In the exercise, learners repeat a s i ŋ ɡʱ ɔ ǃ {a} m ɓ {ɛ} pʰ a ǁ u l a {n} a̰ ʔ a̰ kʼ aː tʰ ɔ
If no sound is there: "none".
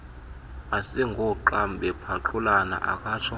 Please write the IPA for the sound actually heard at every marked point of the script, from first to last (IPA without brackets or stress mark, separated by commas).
a, ɛ, n